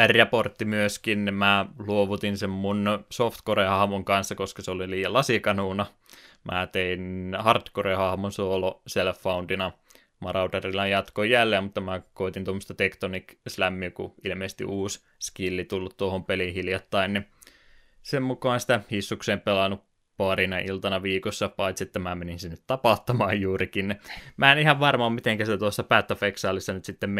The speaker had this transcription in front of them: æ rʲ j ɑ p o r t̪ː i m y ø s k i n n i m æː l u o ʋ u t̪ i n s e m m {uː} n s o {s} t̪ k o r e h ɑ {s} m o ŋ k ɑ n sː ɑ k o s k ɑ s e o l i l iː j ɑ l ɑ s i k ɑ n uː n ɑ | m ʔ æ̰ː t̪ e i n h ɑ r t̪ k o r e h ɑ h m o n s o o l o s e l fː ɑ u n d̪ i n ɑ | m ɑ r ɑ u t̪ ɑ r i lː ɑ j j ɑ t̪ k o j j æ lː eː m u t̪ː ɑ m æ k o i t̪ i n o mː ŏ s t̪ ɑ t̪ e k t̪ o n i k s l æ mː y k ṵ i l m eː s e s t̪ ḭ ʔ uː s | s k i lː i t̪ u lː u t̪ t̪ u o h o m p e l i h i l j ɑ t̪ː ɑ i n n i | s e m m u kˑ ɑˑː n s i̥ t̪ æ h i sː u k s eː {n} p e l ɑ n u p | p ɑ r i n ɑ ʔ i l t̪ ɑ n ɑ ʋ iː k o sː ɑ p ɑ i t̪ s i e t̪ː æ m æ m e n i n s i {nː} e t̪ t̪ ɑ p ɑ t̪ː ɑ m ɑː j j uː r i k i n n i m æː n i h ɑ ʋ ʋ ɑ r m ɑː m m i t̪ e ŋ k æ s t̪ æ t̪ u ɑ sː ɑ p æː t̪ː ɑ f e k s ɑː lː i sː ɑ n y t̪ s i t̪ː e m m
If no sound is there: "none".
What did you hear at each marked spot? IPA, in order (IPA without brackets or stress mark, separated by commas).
u, f, h, m, nː